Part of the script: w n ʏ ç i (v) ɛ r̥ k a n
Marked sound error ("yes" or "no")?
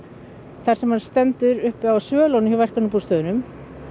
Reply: no